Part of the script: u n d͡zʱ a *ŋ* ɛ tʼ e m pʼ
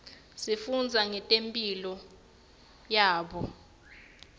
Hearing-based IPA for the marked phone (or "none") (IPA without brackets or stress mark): ŋ